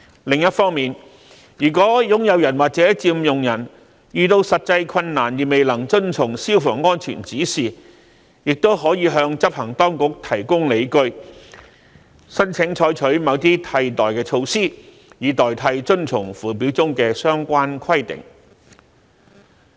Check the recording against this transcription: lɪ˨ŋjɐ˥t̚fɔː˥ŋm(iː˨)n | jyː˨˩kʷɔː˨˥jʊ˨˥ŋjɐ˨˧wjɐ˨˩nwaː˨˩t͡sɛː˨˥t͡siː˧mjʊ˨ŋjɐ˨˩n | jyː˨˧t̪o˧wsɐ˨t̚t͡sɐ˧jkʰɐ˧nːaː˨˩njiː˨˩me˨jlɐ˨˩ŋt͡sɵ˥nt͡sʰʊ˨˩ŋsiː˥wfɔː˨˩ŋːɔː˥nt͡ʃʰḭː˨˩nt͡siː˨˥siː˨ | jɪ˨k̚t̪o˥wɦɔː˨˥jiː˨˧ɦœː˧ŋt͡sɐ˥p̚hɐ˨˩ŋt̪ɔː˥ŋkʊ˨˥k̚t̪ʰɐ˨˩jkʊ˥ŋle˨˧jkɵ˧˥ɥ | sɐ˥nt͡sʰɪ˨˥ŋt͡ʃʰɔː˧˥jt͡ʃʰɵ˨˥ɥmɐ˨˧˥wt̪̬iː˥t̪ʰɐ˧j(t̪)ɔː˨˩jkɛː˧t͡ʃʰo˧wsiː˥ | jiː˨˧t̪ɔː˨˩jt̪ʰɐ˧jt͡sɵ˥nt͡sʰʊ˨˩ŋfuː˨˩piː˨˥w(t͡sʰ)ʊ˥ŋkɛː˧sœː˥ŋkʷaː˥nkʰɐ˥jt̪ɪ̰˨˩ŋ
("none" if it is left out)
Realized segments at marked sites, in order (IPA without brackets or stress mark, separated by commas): iː˨, t̪, t͡s